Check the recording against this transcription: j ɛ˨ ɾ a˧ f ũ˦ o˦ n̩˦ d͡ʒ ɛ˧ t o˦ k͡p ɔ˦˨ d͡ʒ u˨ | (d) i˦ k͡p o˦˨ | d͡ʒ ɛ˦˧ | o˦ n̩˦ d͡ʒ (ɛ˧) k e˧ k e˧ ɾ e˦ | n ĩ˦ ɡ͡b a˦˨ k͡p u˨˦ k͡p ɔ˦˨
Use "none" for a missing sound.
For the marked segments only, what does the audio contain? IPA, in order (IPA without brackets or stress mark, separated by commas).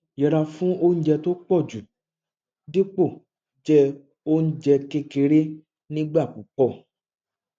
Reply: d, ɛ˧